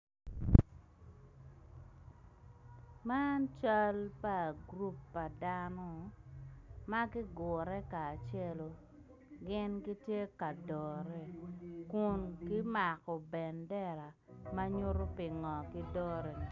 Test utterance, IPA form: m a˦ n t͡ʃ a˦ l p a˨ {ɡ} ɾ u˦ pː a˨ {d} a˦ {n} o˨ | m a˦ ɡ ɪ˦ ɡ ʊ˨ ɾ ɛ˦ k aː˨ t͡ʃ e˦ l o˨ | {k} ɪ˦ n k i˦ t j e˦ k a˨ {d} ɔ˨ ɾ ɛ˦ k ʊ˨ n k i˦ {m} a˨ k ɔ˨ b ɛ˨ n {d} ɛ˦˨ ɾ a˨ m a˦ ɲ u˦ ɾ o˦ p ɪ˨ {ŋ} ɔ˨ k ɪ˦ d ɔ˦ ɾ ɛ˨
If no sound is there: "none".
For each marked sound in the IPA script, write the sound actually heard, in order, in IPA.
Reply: ɡ, d, n, ɡ, d, m, d, ŋ

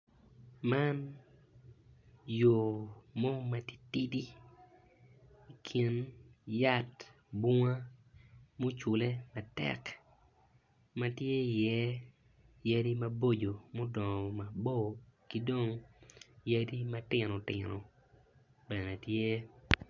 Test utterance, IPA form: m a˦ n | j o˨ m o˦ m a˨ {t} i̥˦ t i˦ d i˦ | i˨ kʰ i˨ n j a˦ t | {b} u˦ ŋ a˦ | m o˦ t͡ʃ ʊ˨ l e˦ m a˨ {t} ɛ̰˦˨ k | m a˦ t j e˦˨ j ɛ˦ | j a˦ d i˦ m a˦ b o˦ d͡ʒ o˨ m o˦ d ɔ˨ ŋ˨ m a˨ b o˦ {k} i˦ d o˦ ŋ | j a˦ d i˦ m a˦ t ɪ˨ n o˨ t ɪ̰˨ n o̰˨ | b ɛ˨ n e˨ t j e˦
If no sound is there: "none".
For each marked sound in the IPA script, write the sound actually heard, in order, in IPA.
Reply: t, b, t, k

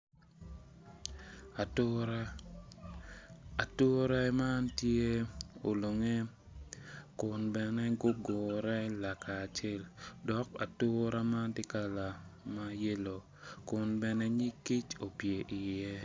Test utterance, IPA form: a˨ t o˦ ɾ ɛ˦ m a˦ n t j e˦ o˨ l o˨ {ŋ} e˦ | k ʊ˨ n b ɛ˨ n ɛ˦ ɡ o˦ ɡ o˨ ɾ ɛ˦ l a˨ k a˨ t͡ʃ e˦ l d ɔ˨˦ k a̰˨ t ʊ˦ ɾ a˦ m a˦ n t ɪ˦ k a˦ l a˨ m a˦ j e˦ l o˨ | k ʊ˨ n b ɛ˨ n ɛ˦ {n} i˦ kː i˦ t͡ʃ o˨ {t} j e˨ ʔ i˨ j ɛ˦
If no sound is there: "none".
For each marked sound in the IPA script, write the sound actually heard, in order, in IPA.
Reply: ŋ, ɲ, p

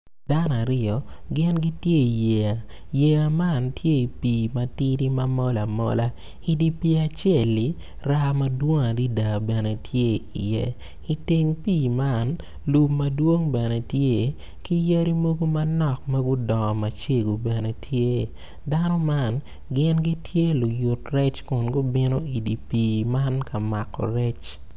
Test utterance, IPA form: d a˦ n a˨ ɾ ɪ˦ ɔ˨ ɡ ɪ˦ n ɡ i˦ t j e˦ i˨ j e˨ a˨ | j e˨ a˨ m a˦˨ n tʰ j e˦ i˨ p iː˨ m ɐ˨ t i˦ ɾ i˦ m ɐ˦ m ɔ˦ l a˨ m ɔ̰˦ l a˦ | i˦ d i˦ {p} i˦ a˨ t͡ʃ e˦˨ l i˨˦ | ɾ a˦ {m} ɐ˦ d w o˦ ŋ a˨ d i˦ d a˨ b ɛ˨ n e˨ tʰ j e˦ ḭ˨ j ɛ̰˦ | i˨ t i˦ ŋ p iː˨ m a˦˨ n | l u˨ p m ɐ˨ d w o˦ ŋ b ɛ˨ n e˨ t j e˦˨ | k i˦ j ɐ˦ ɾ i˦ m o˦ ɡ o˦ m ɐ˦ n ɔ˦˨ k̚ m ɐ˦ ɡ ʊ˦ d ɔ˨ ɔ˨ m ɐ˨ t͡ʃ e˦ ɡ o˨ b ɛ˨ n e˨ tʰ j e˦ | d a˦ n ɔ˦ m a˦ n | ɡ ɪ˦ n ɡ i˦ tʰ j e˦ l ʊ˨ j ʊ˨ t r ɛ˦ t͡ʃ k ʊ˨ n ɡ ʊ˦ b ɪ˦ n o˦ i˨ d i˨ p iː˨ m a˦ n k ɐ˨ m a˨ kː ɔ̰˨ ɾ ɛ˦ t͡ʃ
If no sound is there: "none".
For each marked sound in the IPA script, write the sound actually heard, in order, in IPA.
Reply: p, m

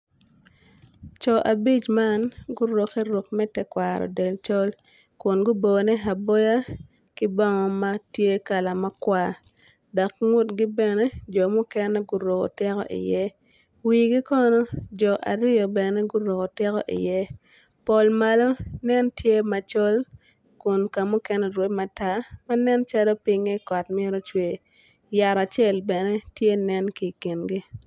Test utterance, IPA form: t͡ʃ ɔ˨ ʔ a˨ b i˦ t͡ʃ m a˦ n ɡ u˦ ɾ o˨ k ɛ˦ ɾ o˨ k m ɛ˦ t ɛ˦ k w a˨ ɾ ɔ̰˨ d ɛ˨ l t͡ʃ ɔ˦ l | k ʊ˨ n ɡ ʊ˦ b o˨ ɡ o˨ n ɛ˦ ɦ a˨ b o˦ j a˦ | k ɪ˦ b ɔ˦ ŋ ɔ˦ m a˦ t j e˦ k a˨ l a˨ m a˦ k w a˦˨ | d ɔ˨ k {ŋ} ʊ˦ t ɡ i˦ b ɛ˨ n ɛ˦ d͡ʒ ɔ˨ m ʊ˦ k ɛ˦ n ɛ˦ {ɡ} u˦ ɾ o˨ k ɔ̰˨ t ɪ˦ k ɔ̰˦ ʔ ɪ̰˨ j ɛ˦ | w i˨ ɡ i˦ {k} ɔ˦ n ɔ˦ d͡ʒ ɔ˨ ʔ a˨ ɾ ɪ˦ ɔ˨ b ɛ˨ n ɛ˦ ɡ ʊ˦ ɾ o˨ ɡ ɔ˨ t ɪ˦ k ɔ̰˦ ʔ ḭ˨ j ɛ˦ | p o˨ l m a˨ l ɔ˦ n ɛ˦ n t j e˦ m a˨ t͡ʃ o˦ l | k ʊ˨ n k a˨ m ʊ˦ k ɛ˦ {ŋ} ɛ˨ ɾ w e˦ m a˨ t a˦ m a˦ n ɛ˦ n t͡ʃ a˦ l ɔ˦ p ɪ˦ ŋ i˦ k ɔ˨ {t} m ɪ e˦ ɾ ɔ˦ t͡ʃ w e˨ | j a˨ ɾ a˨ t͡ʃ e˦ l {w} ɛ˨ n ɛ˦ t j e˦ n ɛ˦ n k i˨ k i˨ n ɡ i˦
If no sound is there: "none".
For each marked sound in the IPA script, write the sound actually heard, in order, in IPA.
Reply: ŋ, ɡ, k, n, t, b

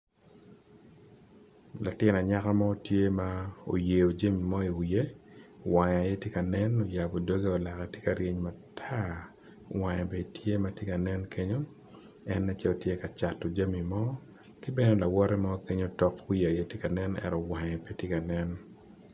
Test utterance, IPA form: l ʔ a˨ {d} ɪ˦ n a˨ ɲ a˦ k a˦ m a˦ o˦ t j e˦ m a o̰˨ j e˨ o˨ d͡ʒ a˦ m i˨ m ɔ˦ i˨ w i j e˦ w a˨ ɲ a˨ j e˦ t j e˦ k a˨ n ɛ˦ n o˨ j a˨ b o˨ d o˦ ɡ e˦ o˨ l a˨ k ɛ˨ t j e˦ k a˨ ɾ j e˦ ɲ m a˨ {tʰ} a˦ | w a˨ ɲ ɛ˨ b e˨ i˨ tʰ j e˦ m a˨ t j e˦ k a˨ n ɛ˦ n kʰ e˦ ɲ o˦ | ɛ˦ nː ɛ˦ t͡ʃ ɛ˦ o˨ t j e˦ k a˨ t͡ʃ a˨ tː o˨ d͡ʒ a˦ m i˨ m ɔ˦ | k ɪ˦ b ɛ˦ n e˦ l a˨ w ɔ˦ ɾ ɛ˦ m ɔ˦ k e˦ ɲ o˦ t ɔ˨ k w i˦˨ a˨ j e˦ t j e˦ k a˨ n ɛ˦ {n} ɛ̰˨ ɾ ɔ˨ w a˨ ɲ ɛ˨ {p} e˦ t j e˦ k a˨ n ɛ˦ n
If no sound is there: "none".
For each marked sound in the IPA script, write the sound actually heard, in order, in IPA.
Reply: t, tʰ, n, p

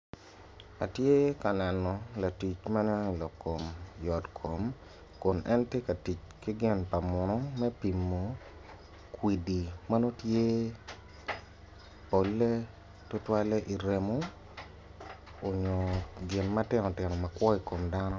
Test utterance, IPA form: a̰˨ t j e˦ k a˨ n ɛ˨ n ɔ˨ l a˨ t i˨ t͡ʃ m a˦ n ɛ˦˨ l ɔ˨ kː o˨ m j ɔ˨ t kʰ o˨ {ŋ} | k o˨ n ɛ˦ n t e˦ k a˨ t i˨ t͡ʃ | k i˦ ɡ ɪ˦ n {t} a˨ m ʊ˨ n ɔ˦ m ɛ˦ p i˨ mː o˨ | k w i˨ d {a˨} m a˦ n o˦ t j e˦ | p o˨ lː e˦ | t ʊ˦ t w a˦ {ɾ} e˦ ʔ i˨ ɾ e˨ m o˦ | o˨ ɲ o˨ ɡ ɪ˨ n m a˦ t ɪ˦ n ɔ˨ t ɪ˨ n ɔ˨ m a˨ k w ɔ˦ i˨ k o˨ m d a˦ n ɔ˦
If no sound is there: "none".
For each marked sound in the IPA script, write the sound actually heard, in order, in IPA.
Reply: m, p, i˨, l

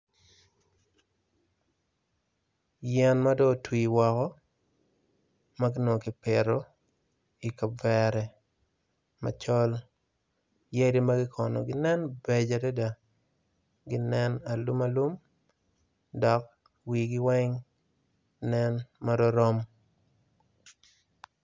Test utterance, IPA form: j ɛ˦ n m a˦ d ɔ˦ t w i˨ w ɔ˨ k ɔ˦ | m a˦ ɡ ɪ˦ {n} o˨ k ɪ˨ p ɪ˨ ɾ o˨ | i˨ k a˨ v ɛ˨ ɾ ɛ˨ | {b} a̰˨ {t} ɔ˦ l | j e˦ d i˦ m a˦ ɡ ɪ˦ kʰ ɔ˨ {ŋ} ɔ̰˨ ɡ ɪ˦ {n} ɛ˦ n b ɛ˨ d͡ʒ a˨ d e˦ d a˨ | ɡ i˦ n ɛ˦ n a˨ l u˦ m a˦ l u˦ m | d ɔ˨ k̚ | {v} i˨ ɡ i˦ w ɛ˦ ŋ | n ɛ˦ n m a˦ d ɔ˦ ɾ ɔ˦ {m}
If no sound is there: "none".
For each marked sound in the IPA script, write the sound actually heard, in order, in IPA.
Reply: n, m, t͡ʃ, n, n, w, m

